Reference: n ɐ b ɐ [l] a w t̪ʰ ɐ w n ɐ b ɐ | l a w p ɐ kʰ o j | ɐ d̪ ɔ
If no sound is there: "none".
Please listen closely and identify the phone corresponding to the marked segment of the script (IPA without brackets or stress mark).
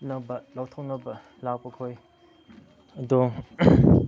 l